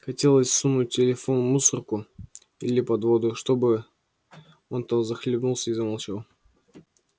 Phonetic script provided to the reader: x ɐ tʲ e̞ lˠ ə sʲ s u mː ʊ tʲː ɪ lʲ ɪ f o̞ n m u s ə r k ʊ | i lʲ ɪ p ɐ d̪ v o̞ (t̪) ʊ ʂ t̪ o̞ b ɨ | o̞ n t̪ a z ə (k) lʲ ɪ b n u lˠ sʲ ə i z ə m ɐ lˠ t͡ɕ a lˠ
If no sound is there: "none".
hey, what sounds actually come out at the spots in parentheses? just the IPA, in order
d̪, x

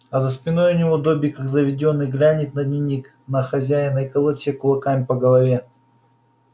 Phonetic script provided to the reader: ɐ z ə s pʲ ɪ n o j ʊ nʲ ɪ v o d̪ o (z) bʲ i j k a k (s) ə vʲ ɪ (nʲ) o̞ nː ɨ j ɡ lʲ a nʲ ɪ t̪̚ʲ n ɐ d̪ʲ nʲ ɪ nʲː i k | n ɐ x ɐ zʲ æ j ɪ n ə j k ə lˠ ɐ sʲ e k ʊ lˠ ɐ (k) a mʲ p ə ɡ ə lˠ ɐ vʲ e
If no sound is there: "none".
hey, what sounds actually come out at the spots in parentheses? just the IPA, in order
none, z, dʲ, k

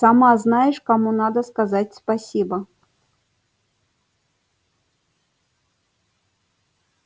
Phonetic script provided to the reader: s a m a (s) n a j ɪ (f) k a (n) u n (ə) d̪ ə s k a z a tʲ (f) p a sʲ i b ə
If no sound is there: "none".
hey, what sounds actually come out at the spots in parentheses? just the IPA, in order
z, ʂ, m, a, s

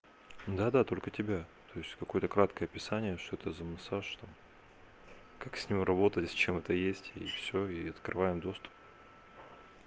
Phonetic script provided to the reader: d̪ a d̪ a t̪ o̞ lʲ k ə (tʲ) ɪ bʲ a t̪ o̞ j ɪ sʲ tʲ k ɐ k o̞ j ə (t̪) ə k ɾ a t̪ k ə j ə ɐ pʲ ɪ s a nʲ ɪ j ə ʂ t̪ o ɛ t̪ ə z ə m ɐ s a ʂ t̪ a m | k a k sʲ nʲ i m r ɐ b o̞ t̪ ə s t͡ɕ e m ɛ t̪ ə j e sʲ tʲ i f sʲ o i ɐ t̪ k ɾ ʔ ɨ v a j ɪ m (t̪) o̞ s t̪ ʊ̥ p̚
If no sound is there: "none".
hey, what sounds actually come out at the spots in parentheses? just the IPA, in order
tʲ, t̪, d̪

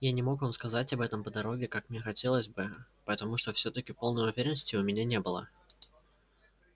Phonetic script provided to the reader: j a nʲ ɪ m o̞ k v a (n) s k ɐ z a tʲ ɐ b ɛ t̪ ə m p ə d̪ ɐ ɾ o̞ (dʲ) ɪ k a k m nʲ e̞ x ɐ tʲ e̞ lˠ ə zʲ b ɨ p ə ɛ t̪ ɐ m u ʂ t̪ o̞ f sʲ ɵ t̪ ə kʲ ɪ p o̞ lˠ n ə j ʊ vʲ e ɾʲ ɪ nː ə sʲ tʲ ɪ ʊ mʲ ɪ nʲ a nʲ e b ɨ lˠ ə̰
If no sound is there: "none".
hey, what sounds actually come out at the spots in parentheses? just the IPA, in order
m, ɡʲ

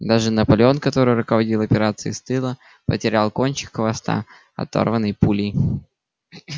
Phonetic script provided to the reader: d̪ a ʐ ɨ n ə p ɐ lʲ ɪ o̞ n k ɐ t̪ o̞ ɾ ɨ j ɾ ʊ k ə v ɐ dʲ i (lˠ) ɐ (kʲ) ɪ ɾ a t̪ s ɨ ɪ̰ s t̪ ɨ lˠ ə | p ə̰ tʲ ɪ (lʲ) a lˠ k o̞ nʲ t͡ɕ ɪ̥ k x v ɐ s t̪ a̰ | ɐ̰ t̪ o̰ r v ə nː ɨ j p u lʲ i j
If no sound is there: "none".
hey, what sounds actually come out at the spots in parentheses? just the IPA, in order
lˠ, pʲ, ɾʲ

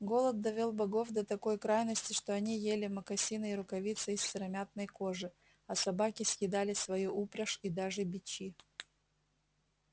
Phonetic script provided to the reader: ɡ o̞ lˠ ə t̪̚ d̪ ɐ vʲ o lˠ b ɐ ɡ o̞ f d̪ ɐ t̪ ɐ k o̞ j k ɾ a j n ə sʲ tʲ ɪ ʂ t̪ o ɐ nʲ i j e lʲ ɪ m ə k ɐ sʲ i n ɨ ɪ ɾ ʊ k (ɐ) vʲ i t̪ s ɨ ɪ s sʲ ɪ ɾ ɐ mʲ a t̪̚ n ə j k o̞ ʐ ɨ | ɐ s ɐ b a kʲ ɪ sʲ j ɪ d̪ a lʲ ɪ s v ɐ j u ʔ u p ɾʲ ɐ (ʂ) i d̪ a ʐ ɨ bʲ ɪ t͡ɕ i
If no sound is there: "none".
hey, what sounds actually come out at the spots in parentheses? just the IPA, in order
ɐ, ʂ

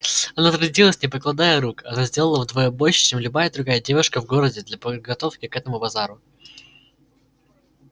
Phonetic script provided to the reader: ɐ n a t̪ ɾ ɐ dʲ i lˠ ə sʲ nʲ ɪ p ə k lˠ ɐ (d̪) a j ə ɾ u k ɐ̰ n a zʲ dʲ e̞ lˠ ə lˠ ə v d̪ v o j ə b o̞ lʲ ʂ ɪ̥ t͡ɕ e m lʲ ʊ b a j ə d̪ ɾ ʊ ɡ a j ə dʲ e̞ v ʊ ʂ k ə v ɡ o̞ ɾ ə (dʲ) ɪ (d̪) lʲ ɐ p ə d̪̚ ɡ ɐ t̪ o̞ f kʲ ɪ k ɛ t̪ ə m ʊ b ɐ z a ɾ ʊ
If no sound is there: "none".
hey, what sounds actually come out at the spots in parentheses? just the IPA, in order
d̪, dʲ, d̪

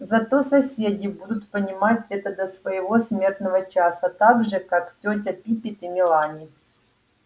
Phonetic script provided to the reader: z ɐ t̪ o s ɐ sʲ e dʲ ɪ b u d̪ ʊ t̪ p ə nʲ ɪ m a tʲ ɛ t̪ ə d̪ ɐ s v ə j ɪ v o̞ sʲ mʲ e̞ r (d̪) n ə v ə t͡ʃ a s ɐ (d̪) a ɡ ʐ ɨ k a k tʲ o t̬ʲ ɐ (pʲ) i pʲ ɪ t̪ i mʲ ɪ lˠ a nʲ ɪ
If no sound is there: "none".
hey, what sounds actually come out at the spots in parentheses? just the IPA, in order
t̪, t̪, pʲ

